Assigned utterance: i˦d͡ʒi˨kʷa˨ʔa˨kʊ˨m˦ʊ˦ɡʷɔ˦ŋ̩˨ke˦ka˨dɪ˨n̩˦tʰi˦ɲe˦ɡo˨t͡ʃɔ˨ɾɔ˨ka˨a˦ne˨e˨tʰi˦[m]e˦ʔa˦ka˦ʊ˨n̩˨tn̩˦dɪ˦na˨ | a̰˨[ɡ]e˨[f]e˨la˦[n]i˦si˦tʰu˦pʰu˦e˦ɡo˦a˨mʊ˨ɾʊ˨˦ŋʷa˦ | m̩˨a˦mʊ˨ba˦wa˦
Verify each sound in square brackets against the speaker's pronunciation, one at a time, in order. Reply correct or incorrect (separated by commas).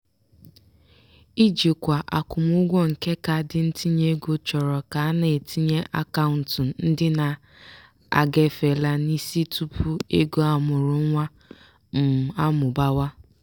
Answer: incorrect, correct, correct, correct